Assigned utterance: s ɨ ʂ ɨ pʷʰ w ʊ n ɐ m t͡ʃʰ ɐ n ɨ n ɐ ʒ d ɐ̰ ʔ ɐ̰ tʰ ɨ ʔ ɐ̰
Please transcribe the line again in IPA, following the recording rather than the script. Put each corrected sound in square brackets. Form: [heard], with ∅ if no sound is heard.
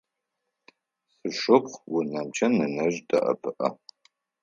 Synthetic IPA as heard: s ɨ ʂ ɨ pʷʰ w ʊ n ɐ m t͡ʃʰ ɐ n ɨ n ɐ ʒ d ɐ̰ ʔ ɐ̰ [pʰ] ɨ ʔ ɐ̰

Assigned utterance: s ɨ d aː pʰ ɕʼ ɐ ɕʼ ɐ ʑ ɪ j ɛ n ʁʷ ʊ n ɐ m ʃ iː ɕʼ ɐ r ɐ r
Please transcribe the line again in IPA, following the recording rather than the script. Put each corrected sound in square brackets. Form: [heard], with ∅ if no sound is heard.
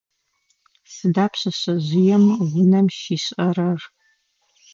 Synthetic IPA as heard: s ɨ d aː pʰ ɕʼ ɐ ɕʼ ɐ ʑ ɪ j ɛ [m] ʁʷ ʊ n ɐ m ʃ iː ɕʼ ɐ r ɐ r

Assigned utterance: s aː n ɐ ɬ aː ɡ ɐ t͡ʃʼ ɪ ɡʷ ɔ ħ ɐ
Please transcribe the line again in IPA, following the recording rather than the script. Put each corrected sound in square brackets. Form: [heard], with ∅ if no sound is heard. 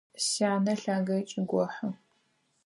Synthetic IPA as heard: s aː n ɐ ɬ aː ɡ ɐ t͡ʃʼ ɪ ɡʷ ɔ ħ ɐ

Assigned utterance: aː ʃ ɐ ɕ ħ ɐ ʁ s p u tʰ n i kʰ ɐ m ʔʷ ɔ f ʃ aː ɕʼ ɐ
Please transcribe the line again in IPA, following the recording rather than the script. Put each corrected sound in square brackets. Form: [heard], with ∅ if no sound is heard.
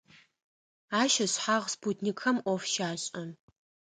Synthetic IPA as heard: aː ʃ ɐ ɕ ħ [a] ʁ s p u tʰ n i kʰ ɐ m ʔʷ ɔ f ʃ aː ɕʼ ɐ

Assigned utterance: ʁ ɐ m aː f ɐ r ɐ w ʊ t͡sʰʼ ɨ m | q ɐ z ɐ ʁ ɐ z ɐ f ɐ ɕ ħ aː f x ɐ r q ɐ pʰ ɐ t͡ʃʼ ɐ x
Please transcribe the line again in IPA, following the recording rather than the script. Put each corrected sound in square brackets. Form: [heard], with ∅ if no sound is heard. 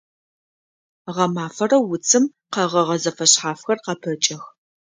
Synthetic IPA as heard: ʁ ɐ m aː f ɐ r ɐ w ʊ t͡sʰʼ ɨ m | q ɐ [ʁ] ɐ ʁ ɐ z ɐ f ɐ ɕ ħ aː f x ɐ r q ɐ pʰ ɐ t͡ʃʼ ɐ x

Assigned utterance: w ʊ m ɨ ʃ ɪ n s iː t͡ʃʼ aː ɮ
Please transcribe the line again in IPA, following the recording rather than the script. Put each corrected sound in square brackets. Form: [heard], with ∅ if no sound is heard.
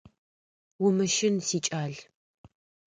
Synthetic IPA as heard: w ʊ m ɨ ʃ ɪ n s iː t͡ʃʼ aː ɮ

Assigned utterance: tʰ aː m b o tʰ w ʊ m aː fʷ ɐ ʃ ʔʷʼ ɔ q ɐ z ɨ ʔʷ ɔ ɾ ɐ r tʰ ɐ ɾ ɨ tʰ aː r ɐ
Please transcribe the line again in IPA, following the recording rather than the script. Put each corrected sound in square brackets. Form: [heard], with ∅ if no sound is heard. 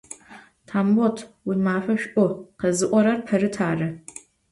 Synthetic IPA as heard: tʰ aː m b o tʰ w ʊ m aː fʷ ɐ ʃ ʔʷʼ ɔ q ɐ z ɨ ʔʷ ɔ ɾ ɐ r [pʰ] ɐ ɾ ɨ tʰ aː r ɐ

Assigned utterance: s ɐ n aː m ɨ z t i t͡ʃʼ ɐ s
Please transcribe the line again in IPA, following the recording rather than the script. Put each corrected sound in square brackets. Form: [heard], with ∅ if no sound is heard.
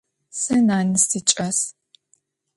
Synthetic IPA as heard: s ɐ n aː [n] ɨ [s] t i t͡ʃʼ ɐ s

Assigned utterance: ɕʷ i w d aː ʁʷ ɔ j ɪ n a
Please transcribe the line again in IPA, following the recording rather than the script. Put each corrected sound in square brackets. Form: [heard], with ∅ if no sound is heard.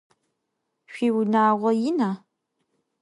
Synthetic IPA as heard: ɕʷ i w [n] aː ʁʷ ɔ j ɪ n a

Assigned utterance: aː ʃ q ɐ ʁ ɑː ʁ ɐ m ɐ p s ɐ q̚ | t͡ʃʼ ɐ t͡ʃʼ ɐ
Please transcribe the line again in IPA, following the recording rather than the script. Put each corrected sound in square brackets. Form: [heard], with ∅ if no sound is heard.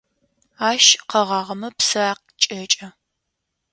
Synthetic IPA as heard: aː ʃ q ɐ ʁ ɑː ʁ ɐ m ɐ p s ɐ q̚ | t͡ʃʼ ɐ t͡ʃʼ ɐ

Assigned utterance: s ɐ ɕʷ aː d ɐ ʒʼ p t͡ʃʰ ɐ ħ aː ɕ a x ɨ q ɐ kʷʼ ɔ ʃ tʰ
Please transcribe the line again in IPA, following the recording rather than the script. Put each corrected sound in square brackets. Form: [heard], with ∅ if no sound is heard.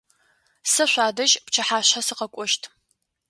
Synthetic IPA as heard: s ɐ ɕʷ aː d ɐ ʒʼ p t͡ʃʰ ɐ ħ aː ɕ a [s] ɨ q ɐ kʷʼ ɔ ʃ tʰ

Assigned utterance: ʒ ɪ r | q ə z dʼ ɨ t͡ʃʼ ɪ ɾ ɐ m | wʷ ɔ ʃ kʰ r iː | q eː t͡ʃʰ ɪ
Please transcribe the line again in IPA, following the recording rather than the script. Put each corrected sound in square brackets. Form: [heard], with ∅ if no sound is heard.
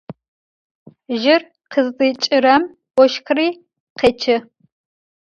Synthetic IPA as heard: ʒ ɪ r | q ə z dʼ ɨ t͡ʃʼ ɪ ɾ ɐ m | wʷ ɔ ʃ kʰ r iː | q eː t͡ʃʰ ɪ

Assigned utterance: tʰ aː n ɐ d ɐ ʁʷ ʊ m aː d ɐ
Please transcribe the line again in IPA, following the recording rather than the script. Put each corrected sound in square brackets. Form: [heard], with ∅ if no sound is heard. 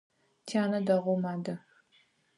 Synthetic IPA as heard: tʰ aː n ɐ d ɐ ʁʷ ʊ m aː d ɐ

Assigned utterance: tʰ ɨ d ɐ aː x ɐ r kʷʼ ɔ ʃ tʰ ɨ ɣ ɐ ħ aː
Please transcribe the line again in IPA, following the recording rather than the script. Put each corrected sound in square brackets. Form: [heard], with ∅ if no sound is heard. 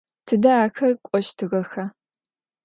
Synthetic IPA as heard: tʰ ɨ d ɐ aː x ɐ r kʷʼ ɔ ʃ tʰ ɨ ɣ ɐ [x] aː

